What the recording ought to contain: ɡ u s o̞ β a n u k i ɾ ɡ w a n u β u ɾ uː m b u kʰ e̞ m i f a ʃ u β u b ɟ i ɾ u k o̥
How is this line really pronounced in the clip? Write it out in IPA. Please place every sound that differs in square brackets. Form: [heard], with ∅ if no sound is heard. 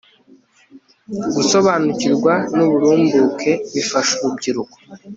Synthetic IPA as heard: ɡ u s o̞ β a n u [c] i ɾ ɡ w a n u β u ɾ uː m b u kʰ e̞ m i f a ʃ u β u b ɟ i ɾ u k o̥